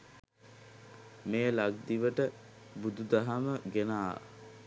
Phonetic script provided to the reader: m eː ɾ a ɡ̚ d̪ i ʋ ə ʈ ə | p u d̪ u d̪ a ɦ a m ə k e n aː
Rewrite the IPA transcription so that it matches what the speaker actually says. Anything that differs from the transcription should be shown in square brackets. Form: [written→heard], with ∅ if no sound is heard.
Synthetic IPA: m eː [ɾ→l] a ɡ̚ d̪ i ʋ ə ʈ ə | [p→b] u d̪ u d̪ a ɦ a m ə [k→ɡ] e n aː